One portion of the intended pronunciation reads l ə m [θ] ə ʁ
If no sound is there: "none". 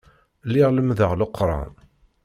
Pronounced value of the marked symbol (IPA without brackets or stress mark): ð